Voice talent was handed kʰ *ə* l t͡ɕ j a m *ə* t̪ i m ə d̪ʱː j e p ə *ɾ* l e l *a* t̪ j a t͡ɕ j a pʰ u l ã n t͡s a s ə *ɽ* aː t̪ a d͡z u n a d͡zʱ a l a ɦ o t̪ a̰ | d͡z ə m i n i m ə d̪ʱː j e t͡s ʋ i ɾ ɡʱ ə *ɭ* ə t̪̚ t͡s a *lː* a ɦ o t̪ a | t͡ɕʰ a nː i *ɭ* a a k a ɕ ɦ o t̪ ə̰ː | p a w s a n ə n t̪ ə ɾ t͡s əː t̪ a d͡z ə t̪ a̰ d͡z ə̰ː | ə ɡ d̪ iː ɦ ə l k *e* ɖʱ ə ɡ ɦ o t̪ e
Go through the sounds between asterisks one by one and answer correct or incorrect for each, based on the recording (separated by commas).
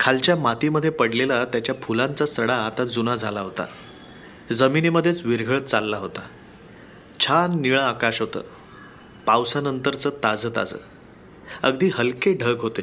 incorrect, incorrect, incorrect, correct, correct, correct, correct, correct, correct